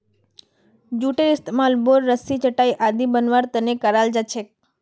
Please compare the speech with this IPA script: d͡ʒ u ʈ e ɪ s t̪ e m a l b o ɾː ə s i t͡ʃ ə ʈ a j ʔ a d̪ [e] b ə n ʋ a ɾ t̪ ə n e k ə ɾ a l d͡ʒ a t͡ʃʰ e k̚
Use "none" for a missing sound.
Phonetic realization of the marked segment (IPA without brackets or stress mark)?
i